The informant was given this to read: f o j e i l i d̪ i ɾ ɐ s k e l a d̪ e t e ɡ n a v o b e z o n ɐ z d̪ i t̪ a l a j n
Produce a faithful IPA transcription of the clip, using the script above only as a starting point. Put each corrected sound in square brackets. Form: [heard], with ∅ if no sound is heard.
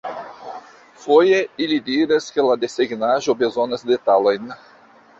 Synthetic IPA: f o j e i l i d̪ i ɾ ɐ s k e l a d̪ e [s] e ɡ n a [ʒ] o b e z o n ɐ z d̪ [e] t̪ a l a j n